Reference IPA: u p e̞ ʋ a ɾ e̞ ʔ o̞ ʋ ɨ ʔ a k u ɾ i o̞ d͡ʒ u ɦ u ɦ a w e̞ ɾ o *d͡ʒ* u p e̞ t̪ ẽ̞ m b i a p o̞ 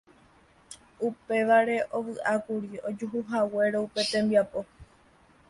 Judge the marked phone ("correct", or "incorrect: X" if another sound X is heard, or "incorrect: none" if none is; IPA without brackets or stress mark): incorrect: none